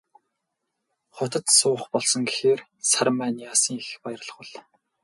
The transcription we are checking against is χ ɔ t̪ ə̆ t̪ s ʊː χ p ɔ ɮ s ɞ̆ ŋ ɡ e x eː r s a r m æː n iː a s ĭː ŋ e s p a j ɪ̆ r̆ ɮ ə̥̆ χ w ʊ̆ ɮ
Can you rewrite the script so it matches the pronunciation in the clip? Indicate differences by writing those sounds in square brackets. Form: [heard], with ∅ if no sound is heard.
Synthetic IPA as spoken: χ ɔ t̪ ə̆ t̪ s ʊː χ p ɔ ɮ s ɞ̆ ŋ ɡ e x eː r s a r m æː n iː a s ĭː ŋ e [x] p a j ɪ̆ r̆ ɮ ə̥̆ χ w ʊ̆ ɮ